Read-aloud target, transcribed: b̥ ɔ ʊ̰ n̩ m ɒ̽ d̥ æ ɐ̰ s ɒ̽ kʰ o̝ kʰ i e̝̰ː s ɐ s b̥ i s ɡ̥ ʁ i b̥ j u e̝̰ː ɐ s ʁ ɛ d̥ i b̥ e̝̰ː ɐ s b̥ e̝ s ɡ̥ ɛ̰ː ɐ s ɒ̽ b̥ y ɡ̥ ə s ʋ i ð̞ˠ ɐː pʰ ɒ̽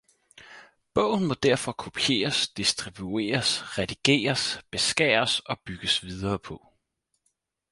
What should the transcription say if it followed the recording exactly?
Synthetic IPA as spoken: b̥ ɔ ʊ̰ n̩ m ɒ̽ d̥ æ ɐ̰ f ɒ̽ kʰ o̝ pʰ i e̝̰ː ɐ s d̥ i s d̥ ʁ i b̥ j u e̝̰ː ɐ s ʁ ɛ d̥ i ɡ̥ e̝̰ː ɐ s b̥ e̝ s ɡ̥ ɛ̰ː ɐ s ɒ̽ b̥ y ɡ̥ ə s ʋ i ð̞ˠ ɐː pʰ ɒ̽